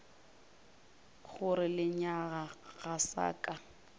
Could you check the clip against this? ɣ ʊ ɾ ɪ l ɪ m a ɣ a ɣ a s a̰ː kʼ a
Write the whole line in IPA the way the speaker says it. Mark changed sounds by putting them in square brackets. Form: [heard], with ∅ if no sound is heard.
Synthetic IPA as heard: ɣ ʊ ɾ ɪ l ɪ [ɲ] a ɣ a ɣ a s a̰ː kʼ a